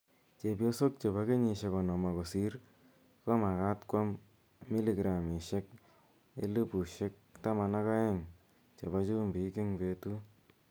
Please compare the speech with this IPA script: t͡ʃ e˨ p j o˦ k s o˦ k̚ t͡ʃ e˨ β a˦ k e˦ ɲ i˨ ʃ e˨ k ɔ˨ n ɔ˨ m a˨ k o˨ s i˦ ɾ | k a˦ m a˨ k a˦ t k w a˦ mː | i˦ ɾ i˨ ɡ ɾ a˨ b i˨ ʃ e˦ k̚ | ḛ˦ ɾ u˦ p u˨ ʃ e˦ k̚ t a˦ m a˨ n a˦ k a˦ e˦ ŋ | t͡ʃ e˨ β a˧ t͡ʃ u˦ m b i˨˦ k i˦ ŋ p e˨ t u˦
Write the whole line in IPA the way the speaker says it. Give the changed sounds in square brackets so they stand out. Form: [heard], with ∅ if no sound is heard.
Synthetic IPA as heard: t͡ʃ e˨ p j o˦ [∅] s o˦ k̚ t͡ʃ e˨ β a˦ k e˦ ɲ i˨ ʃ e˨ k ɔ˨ n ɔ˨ m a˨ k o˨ s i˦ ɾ | k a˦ m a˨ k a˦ t k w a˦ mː | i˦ [l] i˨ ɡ ɾ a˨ [m] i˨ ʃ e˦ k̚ | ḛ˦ [l] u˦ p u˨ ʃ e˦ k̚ t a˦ m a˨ n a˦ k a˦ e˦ ŋ | t͡ʃ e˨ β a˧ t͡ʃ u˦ m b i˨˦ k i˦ ŋ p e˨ t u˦

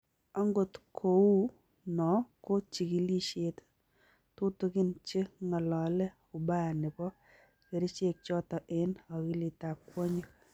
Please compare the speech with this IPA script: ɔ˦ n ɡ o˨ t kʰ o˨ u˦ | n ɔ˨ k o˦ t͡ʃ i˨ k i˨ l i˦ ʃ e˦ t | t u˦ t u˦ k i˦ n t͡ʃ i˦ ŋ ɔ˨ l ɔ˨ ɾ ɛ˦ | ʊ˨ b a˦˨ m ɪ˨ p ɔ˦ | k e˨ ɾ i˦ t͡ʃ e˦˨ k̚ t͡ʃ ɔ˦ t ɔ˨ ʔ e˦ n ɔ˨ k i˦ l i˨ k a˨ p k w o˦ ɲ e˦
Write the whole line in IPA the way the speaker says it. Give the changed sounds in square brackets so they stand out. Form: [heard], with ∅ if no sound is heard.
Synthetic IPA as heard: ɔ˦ [ŋ] ɡ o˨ t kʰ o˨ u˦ | n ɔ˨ k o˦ t͡ʃ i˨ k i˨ l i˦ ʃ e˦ t | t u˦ t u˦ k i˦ n t͡ʃ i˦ ŋ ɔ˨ l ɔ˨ [l] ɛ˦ | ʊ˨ b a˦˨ [n] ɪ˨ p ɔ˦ | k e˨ ɾ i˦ t͡ʃ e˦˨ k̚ t͡ʃ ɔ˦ t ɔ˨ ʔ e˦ n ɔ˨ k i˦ l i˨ [t] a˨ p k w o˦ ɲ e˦

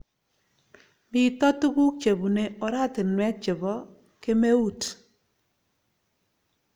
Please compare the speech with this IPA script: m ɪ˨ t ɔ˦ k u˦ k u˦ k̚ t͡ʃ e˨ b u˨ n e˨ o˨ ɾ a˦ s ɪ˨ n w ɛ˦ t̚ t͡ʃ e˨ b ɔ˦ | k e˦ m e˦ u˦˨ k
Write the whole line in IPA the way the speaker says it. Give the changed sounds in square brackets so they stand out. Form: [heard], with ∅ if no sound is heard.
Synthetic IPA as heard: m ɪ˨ t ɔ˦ [t] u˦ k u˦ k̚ t͡ʃ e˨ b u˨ n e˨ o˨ ɾ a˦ [t] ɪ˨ n w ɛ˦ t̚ t͡ʃ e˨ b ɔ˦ | k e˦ m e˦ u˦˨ [t]

